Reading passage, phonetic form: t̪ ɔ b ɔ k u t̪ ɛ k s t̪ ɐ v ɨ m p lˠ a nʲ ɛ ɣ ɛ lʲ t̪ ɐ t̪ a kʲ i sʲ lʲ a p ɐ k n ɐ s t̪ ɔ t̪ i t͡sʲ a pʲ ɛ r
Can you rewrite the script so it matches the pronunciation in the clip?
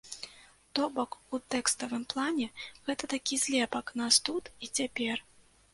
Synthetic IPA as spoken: t̪ ɔ b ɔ k u t̪ ɛ k s t̪ ɐ v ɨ m p lˠ a nʲ ɛ ɣ ɛ t̪ ɐ t̪ a kʲ i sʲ lʲ ɛ p ɐ k n a s t̪ u t̪ i t͡sʲ a pʲ ɛ r